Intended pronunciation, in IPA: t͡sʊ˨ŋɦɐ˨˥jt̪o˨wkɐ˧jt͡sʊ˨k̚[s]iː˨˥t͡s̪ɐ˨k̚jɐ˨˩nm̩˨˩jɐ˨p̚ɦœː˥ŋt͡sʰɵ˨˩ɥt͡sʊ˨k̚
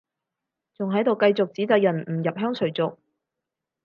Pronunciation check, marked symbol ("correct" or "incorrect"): incorrect